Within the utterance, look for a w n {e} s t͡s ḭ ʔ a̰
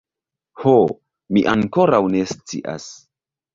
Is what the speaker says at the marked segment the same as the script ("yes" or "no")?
yes